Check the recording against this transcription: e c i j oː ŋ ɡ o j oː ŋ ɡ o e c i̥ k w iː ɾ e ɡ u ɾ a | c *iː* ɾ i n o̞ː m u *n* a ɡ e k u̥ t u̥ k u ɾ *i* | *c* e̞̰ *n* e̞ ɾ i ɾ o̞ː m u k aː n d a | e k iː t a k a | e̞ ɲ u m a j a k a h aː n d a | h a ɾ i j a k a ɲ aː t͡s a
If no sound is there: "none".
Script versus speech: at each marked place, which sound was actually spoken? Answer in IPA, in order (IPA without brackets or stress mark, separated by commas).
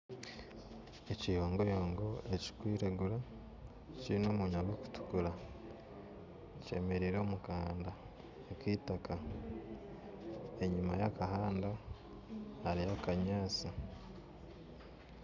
i, ɲ, a, c, m